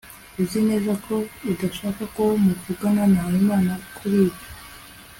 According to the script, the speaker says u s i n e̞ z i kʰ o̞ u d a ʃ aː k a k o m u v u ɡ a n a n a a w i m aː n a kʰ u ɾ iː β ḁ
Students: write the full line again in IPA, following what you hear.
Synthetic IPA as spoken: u z i n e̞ z a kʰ o̞ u d a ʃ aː k a k o m u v u ɡ a n a n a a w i m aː n a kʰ u ɾ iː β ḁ